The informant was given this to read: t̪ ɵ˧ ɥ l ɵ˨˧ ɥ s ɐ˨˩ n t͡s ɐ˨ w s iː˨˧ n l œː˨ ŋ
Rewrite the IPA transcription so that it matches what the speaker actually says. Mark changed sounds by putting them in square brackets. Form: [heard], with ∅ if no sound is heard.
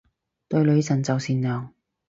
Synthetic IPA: t̪ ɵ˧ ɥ l ɵ˨˧ ɥ s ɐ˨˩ n t͡s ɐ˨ w s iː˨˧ n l œː˨ ŋ